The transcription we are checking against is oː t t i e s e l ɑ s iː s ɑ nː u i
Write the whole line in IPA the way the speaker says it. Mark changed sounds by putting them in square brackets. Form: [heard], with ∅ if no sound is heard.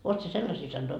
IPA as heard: oː t [s] i e s e [lː] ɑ s iː s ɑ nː [o] i